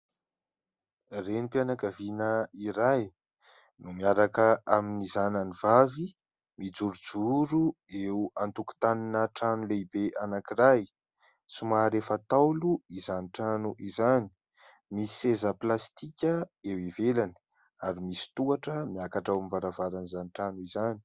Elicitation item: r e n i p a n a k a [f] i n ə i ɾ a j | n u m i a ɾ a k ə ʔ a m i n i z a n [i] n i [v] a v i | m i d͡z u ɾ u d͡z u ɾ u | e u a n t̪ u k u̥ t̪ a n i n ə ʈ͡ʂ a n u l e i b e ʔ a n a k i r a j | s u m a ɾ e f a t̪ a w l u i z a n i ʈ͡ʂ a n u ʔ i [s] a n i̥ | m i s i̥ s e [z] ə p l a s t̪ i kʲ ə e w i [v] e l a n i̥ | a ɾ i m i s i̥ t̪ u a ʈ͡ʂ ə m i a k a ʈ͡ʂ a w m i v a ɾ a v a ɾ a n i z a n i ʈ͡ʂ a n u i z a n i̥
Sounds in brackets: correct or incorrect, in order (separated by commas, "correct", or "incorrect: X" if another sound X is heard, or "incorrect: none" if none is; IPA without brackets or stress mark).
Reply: incorrect: v, incorrect: a, correct, incorrect: z, correct, correct